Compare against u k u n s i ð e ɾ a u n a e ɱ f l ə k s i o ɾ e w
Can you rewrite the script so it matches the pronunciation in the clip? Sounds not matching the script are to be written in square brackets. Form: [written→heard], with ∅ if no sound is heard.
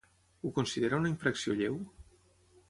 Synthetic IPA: u k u n s i ð e ɾ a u n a [e→i] ɱ f [l→ɾ] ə k s i o [ɾ→ʎ] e w